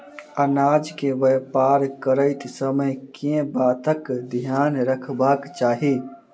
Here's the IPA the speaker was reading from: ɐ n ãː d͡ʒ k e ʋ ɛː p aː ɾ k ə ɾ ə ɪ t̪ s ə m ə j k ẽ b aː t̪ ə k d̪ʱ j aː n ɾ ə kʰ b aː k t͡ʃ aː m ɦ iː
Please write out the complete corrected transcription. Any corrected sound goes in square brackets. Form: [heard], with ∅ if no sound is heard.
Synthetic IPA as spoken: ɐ n [aː] d͡ʒ k e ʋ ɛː p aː ɾ k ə ɾ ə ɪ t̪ s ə m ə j k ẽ b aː t̪ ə k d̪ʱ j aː n ɾ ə kʰ b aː k t͡ʃ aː [∅] ɦ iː